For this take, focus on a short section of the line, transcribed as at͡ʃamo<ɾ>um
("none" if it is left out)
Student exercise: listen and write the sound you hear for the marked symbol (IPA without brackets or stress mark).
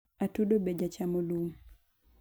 l